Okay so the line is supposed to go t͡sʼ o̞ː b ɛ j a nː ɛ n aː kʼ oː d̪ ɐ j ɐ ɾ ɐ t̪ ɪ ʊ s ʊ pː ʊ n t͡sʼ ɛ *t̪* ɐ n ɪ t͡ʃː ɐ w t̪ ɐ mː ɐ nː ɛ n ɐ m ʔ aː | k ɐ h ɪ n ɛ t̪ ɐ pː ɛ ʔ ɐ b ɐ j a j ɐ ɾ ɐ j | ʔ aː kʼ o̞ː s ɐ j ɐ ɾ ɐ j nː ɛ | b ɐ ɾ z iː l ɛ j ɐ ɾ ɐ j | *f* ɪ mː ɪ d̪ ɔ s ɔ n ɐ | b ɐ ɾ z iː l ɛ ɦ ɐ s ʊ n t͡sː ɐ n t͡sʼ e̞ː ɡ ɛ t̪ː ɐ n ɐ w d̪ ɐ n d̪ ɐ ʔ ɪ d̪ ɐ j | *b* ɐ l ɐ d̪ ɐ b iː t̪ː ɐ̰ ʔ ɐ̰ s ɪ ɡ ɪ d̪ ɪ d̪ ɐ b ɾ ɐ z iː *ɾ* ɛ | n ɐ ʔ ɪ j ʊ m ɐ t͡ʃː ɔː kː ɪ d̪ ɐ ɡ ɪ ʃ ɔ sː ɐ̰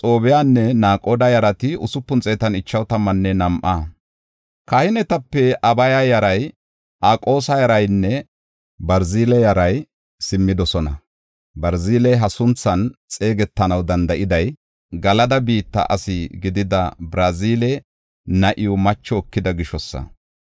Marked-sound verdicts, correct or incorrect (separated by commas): correct, incorrect, incorrect, incorrect